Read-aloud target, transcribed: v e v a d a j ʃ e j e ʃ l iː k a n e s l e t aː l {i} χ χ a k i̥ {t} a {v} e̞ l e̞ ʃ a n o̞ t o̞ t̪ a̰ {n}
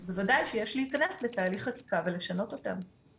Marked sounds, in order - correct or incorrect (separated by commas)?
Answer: correct, incorrect, correct, incorrect